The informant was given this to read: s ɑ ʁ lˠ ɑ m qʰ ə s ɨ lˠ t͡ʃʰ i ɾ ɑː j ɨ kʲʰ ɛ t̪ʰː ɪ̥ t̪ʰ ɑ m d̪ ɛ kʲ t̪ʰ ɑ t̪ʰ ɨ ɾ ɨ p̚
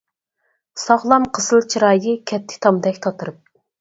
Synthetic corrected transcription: s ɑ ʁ lˠ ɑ m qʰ ə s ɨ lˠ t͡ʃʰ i ɾ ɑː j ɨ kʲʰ ɛ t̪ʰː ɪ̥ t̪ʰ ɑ m d̪ ɛ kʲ t̪ʰ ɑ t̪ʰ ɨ ɾ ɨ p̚